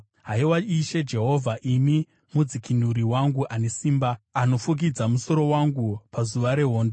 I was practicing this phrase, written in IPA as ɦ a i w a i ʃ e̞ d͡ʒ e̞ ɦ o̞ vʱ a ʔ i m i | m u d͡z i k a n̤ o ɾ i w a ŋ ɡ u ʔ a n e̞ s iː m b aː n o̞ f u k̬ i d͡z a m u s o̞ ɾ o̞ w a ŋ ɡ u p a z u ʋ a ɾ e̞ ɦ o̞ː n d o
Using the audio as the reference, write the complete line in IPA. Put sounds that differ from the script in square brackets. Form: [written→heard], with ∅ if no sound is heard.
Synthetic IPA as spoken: ɦ a i w a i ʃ e̞ d͡ʒ e̞ ɦ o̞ vʱ a ʔ i m i | m u d͡z i k [a→i] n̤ [o→u] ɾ i w a ŋ ɡ u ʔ a n e̞ s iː m b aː n o̞ f u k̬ i d͡z a m u s o̞ ɾ o̞ w a ŋ ɡ u p a z u ʋ a ɾ e̞ ɦ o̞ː n d o